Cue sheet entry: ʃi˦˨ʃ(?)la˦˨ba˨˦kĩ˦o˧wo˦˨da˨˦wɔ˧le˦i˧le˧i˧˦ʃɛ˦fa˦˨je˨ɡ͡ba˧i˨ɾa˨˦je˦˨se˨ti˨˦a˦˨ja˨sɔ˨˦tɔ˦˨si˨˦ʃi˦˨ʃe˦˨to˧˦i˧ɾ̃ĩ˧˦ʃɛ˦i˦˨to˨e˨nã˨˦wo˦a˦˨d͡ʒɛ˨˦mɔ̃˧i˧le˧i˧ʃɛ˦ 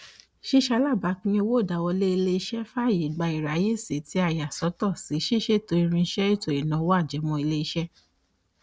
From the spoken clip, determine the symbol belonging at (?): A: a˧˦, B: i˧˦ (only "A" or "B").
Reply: A